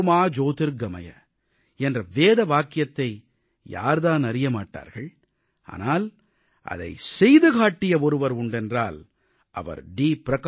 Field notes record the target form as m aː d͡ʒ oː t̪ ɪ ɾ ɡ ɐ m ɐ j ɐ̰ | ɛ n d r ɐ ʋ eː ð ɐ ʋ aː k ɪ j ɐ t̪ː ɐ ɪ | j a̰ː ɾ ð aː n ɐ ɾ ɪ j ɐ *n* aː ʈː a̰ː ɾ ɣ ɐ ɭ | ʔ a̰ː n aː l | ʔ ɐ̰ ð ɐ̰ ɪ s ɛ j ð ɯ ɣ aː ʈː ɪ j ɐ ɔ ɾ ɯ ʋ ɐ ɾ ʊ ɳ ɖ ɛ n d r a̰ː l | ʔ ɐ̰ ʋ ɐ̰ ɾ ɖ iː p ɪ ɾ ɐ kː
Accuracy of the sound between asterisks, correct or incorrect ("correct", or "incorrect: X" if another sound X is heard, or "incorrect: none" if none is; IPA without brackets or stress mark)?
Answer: incorrect: m